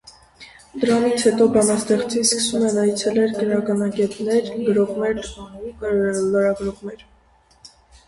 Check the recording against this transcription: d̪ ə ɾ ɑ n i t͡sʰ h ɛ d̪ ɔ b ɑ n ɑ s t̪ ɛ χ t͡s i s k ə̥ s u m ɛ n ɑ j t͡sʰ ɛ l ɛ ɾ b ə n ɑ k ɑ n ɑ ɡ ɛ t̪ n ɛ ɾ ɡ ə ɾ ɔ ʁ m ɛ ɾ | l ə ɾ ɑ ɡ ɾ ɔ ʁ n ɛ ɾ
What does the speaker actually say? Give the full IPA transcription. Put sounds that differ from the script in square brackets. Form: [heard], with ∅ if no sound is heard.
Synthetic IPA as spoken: d̪ ə ɾ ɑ n i t͡sʰ h ɛ [t̪] ɔ b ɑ n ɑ s t̪ ɛ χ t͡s i s k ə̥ s u m ɛ n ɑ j t͡sʰ ɛ l ɛ ɾ [ɡ] ə n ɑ k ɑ n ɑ ɡ ɛ t̪ n ɛ ɾ ɡ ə ɾ ɔ ʁ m ɛ ɾ | l ə ɾ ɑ ɡ ɾ ɔ ʁ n ɛ ɾ